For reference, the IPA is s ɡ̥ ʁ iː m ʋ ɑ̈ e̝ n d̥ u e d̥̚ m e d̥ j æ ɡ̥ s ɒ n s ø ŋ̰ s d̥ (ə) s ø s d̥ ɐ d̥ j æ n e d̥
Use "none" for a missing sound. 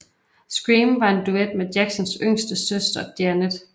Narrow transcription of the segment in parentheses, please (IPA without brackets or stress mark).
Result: ə